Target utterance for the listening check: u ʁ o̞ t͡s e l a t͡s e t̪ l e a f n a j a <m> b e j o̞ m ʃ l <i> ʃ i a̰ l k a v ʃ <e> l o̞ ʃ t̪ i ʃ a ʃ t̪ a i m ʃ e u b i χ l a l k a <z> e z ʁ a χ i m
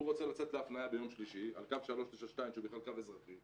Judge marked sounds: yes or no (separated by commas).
no, yes, no, no